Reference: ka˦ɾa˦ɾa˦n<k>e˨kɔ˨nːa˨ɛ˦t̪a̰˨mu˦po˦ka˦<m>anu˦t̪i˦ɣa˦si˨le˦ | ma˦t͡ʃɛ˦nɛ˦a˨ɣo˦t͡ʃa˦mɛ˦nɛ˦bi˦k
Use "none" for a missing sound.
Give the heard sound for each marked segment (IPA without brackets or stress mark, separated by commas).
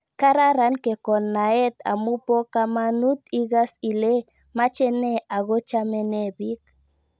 k, m